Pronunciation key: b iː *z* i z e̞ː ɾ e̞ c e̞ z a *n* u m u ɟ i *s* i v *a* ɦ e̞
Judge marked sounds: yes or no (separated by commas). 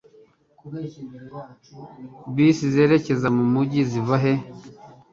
no, no, no, yes